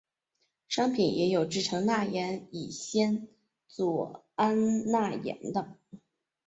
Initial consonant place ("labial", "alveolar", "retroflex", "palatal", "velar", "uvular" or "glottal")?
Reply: retroflex